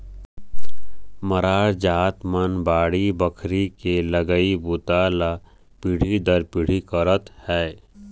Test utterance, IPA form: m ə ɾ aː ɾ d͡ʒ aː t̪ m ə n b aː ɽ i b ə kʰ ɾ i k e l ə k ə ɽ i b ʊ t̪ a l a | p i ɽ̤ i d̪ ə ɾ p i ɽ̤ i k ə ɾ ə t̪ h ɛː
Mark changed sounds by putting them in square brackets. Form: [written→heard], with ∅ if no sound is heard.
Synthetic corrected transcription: m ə ɾ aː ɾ d͡ʒ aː t̪ m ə n b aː ɽ i b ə kʰ ɾ i k e l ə [k→ɡ] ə [ɽ→∅] i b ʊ t̪ a l a | p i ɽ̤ i d̪ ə ɾ p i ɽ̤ i k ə ɾ ə t̪ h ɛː